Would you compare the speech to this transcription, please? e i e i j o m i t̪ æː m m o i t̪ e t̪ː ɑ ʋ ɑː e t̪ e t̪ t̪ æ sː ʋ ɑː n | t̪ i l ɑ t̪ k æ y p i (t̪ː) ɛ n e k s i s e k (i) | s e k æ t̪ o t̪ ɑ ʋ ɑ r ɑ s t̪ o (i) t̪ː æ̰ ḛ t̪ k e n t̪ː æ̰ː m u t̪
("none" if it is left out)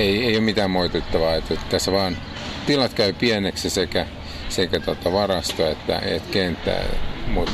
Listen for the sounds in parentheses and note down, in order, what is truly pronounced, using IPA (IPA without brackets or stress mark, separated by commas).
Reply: none, æ, e